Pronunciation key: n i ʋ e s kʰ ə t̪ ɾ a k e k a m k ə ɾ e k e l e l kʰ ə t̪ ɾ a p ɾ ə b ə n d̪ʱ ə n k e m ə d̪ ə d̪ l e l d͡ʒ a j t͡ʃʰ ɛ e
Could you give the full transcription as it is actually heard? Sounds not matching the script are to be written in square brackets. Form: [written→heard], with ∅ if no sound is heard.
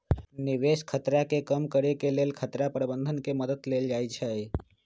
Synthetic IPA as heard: n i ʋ e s kʰ ə t̪ ɾ a k e k [a→ə] m k ə ɾ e k e l e l kʰ ə t̪ ɾ a p ɾ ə b ə n d̪ʱ ə n k e m ə d̪ ə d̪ l e l d͡ʒ a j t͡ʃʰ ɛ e